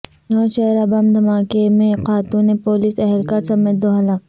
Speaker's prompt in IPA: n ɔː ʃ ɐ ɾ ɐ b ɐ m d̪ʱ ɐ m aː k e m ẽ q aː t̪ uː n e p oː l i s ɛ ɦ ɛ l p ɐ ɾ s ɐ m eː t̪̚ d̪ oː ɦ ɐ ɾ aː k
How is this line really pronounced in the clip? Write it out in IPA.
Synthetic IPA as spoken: n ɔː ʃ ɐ ɾ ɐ b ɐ m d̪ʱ ɐ m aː k e m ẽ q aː t̪ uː n e p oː l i s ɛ ɦ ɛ l k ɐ ɾ s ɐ m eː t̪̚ d̪ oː ɦ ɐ l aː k